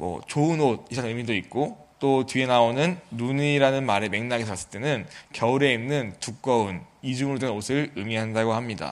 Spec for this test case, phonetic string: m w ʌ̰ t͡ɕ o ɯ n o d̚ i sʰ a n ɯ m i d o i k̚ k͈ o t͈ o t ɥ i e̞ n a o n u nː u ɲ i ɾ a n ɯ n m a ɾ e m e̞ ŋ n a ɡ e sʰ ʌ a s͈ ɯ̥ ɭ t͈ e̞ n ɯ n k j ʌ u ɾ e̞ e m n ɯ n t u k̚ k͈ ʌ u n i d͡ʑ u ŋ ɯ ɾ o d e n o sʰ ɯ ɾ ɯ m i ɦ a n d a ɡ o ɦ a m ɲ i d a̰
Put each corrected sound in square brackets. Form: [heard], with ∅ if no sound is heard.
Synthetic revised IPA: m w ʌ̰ t͡ɕ o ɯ n o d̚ i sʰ a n ɯ m i d o i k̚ k͈ o t͈ o t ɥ i e̞ n a o n [ɯ] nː u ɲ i ɾ a n ɯ n m a ɾ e m e̞ ŋ n a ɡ e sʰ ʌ a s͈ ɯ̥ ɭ t͈ e̞ n ɯ n k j ʌ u ɾ e̞ [i] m n ɯ n t u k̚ k͈ ʌ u n i d͡ʑ u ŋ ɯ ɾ o d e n o sʰ ɯ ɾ ɯ m i ɦ a n d a ɡ o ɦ a m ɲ i d a̰